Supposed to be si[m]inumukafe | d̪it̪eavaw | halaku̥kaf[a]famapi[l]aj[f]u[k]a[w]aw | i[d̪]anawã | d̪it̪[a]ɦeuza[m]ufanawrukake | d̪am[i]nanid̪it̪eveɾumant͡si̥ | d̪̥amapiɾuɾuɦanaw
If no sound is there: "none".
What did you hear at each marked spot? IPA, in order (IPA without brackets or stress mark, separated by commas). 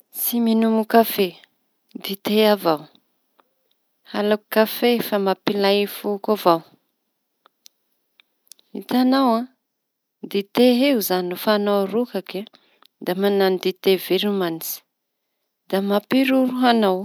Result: m, e, l, f, k, v, t̪, e, n, a